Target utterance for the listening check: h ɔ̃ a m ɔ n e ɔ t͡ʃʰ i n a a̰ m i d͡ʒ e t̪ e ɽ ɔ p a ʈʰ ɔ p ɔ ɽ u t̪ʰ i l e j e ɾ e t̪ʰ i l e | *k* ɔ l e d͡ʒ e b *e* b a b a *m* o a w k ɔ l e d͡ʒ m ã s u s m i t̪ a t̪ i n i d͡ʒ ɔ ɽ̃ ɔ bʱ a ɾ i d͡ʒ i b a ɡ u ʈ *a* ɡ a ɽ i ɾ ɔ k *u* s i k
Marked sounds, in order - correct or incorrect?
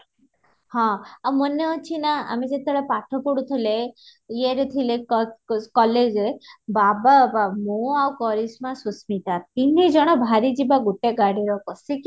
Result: correct, incorrect: a, correct, incorrect: e, incorrect: ɔ

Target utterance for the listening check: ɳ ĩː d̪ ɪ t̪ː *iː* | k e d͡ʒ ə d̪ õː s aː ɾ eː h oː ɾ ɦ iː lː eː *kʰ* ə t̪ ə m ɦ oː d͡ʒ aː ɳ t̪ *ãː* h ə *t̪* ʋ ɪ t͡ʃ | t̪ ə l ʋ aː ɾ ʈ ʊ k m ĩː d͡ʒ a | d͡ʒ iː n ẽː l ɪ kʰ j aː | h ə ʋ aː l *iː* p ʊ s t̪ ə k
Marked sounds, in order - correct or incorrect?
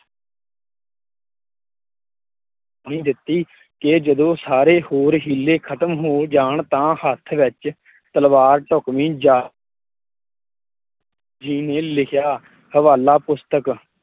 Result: correct, correct, correct, incorrect: t̪ʰ, incorrect: aː

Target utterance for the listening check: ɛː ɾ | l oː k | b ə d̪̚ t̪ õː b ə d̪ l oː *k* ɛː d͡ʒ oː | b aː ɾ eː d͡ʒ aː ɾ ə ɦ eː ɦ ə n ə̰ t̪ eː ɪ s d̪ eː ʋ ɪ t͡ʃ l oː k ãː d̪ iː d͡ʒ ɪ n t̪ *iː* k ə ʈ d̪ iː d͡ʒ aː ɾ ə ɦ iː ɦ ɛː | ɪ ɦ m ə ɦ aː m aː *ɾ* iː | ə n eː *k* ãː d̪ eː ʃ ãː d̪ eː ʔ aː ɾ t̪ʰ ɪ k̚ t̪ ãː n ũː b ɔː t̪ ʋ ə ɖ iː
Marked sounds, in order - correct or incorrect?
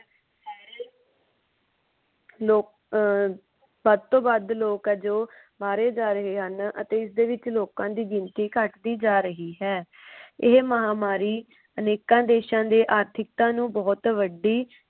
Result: correct, correct, correct, correct

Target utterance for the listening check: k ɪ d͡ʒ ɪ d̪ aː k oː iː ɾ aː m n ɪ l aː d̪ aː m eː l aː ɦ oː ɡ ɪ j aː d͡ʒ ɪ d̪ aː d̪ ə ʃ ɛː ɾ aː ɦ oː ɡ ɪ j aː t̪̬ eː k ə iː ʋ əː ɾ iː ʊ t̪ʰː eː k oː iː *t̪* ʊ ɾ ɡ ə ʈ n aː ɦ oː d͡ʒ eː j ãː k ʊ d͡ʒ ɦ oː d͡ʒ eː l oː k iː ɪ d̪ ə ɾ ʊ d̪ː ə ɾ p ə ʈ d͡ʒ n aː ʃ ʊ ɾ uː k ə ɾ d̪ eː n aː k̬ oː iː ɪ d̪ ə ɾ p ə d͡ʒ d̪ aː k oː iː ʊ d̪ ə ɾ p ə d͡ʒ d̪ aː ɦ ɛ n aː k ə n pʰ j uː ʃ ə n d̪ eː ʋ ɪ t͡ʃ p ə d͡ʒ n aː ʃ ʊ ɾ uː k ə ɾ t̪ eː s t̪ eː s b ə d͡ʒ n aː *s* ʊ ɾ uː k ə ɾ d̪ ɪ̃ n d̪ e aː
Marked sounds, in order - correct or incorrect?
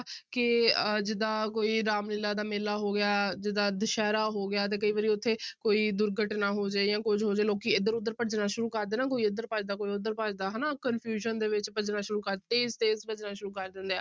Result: incorrect: d̪, incorrect: ʃ

